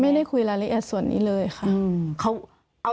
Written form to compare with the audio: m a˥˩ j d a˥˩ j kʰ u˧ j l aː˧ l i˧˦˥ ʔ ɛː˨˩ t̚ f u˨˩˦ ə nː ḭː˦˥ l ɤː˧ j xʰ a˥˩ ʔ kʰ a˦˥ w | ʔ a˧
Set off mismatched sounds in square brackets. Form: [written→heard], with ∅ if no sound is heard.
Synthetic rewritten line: m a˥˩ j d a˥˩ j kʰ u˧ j l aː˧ l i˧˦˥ ʔ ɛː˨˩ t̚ [f→s] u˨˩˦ ə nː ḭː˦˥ l ɤː˧ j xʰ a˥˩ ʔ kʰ a˦˥ w | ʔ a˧